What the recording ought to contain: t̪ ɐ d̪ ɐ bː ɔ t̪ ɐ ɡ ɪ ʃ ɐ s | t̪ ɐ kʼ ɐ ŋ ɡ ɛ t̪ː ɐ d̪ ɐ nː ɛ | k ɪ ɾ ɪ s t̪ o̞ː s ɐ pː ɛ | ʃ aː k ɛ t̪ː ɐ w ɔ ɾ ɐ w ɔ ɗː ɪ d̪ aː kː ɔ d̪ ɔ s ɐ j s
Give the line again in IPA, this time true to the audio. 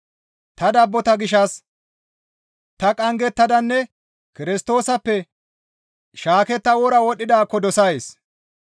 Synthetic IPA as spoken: t̪ ɐ d̪ ɐ bː ɔ t̪ ɐ ɡ ɪ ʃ ɐ s | t̪ ɐ kʼ ɐ ŋ ɡ ɛ t̪ː ɐ d̪ ɐ nː ɛ | k ɪ ɾ ɪ s t̪ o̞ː s ɐ pː ɛ | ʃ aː k ɛ t̪ː ɐ w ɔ ɾ ɐ w ɔ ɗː ɪ d̪ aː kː ɔ d̪ ɔ s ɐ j s